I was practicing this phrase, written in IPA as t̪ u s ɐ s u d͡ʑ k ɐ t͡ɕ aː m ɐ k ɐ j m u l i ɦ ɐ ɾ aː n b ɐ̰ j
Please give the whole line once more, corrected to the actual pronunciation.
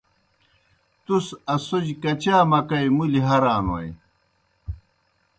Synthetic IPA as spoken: t̪ u s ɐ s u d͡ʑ k ɐ t͡ɕ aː m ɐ k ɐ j m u l i ɦ ɐ ɾ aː n w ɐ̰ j

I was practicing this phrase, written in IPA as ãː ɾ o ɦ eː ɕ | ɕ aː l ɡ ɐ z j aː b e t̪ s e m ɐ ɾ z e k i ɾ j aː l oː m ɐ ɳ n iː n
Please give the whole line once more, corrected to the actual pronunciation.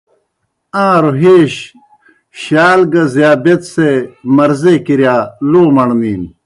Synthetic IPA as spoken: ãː ɾ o ɦ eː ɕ | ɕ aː l ɡ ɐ z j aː b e t̪ s e m ɐ ɾ z e k i ɾ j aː l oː m ɐ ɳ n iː n

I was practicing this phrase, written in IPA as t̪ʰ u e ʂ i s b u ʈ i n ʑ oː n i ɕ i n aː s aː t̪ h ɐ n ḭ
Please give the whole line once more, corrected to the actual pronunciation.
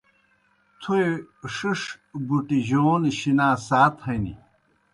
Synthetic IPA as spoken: t̪ʰ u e ʂ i ʂ b u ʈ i ʑ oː n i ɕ i n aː s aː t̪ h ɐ n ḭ

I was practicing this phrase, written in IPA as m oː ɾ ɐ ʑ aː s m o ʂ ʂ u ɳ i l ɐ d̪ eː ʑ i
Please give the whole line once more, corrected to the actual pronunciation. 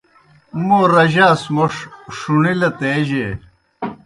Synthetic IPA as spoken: m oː ɾ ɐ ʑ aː s m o ʂ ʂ u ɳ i l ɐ t̪ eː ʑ e

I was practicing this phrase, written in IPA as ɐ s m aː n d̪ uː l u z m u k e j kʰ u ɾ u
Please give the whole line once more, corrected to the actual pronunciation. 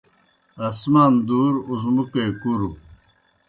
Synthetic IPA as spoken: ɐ s m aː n d̪ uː ɾ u z m u k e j k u ɾ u

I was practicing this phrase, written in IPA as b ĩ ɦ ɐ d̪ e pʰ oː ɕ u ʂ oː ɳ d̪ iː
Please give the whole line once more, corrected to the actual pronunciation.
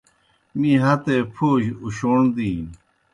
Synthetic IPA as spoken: m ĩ ɦ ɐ t̪ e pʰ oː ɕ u ɕ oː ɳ d̪ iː

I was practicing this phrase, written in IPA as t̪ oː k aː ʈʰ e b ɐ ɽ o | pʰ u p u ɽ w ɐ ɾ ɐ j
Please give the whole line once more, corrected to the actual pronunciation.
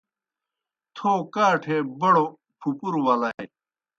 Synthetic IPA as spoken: t̪ʰ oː k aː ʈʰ e b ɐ ɽ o | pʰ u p u ɾ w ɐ l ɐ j

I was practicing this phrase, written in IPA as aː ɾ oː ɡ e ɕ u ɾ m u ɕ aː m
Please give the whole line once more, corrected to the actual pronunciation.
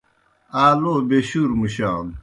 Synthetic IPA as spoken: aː l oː b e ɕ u ɾ m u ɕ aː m

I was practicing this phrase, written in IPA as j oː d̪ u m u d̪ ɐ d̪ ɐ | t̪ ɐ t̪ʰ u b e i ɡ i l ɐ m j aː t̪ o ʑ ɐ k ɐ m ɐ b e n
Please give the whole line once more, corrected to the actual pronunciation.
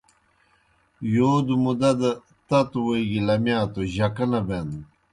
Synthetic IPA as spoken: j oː d̪ u m u d̪ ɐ d̪ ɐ | t̪ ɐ t̪ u w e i ɡ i l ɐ m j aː t̪ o ʑ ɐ k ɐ n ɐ b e n

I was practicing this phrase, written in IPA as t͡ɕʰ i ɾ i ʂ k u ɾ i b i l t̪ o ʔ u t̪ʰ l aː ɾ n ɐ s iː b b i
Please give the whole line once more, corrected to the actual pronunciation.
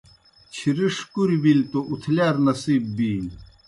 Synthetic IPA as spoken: t͡ɕʰ i ɾ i ʂ k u ɾ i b i l t̪ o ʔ u t̪ʰ l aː ɾ n ɐ s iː b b i

